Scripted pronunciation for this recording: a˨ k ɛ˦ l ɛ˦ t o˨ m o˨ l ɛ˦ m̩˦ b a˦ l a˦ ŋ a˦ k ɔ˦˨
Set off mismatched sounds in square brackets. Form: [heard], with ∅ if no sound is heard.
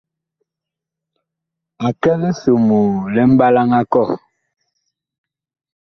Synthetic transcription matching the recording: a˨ k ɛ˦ l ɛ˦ [s] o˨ m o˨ l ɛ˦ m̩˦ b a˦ l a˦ ŋ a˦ k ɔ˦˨